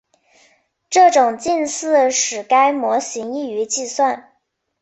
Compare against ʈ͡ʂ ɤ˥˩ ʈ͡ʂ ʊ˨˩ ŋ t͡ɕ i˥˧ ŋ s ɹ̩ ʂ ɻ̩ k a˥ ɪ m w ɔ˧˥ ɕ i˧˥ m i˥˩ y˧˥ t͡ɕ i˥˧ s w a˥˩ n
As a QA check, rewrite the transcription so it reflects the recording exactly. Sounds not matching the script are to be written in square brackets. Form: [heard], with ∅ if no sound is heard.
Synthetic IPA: ʈ͡ʂ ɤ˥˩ ʈ͡ʂ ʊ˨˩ ŋ t͡ɕ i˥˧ [n] s ɹ̩ ʂ ɻ̩ k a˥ ɪ m w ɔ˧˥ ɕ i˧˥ [ŋ] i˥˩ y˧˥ t͡ɕ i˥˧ s w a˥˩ n